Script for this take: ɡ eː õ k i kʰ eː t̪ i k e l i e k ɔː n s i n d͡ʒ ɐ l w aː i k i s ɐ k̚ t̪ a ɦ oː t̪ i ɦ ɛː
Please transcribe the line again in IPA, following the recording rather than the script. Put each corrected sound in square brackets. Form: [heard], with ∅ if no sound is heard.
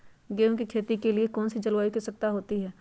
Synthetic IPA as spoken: ɡ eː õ k i kʰ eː t̪ i k e l i e k ɔː n s i [∅] d͡ʒ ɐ l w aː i k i s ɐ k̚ t̪ a ɦ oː t̪ i ɦ ɛː